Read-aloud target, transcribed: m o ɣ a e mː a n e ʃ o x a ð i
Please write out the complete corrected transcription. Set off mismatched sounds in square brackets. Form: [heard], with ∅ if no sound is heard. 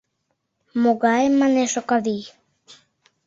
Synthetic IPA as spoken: m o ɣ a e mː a n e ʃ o [k] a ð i